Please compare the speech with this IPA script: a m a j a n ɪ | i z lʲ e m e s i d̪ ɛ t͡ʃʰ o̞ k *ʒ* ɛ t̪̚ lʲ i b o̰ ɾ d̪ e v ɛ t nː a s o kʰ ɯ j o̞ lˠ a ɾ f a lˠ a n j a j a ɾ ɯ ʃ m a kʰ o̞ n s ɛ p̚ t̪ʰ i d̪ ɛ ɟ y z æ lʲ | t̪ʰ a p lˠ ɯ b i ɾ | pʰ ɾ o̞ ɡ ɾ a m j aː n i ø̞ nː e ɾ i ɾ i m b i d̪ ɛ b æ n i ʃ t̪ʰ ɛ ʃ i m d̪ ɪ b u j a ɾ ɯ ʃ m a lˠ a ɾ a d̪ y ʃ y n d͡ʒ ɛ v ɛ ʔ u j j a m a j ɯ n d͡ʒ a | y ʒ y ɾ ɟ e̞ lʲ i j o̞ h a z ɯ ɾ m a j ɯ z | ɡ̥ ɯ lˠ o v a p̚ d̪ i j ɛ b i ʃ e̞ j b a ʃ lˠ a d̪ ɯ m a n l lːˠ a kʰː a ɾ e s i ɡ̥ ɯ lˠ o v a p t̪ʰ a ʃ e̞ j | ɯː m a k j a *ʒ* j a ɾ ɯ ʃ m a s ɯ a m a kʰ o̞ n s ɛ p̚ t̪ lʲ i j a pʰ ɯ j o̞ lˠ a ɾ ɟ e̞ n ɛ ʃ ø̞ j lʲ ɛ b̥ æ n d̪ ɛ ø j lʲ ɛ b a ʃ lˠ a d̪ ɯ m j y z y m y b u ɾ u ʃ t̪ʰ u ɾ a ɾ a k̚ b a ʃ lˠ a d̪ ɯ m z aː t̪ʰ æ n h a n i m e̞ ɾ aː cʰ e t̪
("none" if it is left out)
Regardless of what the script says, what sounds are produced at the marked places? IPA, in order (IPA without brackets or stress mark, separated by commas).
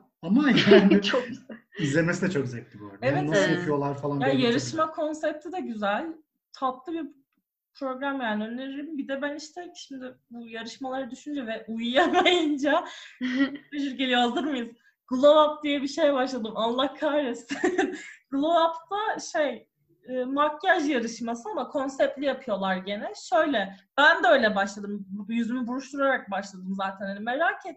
z, ʒ